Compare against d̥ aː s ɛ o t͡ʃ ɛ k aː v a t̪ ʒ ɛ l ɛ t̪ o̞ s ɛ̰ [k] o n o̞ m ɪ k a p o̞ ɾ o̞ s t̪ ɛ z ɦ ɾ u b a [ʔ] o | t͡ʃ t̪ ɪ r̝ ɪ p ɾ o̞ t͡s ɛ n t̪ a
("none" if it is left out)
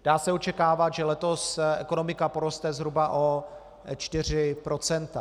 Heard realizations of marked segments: k, ʔ

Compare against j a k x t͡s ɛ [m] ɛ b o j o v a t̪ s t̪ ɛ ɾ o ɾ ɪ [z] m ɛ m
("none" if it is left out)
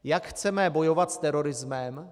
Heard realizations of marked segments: m, z

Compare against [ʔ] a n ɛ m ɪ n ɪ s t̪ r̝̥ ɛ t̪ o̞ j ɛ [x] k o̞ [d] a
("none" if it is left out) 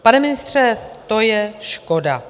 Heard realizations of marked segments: p, ʃ, d

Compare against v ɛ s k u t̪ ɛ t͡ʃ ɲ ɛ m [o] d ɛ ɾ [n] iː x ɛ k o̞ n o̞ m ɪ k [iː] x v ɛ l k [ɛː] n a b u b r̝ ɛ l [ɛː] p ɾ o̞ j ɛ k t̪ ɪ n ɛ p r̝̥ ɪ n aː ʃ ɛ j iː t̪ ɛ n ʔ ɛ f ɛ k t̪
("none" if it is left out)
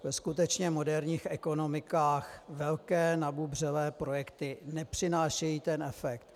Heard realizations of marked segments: o, ɲ, aː, ɛː, ɛː

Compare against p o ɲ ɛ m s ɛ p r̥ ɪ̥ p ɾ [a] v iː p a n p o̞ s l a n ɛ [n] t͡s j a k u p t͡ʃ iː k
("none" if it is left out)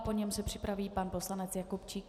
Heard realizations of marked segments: a, none

